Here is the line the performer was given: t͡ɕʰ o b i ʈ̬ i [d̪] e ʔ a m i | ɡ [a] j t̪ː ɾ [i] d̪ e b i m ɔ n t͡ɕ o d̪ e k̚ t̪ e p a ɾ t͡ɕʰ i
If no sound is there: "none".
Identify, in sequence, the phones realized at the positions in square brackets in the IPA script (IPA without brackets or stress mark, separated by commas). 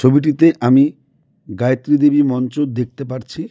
t̪, a, i